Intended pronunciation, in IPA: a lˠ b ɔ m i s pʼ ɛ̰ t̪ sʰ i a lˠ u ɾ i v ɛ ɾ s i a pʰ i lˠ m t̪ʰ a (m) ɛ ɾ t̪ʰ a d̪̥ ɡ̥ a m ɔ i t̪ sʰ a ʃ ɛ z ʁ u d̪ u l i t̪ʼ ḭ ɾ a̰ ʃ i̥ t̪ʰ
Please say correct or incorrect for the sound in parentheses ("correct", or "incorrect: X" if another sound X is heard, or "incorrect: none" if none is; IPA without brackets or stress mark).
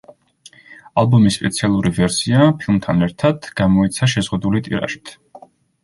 incorrect: n